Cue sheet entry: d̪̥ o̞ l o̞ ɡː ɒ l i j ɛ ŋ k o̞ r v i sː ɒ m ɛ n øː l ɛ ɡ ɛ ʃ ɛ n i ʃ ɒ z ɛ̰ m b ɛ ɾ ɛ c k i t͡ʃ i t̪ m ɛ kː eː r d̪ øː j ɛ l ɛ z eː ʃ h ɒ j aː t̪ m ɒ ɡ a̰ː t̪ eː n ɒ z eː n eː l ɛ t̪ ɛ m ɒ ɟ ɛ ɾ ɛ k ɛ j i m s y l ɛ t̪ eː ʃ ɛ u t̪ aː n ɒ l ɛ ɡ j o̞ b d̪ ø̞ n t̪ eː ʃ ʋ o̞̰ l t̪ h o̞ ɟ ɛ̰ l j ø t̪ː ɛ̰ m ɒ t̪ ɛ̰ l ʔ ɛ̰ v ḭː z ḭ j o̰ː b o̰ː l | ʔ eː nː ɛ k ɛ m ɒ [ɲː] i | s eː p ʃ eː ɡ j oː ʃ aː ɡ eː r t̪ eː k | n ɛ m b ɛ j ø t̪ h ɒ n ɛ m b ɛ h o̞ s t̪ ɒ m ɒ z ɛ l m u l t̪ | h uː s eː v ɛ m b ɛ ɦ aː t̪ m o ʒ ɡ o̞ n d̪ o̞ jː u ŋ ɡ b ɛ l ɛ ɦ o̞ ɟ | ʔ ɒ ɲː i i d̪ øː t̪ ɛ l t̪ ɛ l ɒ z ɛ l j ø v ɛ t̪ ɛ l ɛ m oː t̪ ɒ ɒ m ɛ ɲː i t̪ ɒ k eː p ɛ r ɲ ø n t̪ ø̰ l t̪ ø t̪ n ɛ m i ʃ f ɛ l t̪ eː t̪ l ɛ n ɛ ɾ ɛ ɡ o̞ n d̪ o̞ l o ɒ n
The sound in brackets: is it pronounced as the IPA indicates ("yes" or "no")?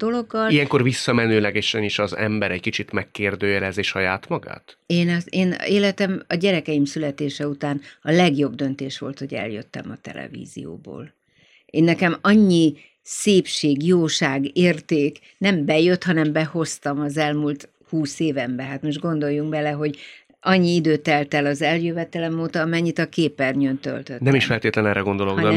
yes